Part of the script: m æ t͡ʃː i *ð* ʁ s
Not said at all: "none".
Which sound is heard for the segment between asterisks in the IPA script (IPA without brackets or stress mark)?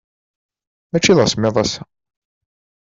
ð